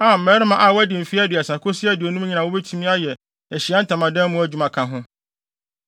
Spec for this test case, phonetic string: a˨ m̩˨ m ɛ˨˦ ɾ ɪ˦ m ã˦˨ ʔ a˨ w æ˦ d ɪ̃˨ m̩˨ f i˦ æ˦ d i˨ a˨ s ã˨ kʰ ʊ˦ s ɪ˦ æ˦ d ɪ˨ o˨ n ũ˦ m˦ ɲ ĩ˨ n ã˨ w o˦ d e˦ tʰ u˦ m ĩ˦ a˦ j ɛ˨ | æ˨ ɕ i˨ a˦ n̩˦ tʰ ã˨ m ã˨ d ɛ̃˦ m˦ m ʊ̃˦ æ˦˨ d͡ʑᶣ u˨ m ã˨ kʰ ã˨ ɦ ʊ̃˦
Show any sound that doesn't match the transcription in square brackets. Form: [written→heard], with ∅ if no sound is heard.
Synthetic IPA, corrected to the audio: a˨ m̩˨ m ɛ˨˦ ɾ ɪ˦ m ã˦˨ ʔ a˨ w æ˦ d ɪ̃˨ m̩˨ f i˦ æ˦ d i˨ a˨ s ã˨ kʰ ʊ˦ s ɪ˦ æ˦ d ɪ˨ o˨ n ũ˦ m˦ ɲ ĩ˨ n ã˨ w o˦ [d→b] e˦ tʰ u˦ m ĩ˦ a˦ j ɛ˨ | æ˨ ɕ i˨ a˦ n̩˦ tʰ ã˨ m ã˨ d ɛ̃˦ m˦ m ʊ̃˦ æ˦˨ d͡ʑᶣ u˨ m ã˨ kʰ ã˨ ɦ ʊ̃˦